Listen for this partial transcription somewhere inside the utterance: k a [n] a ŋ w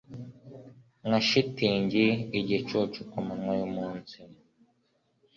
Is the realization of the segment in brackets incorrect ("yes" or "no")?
yes